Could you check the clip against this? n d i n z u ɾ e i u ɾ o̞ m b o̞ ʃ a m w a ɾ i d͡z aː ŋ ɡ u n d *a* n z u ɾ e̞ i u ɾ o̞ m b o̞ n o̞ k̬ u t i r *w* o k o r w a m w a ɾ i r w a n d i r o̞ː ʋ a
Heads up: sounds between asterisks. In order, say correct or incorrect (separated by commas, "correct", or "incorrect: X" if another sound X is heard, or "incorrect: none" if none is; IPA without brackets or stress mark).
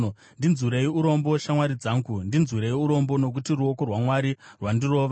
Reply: incorrect: i, incorrect: u